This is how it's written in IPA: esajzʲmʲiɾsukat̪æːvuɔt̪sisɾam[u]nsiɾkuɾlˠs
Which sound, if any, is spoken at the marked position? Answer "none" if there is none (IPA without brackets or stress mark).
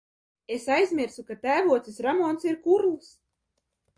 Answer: ɔ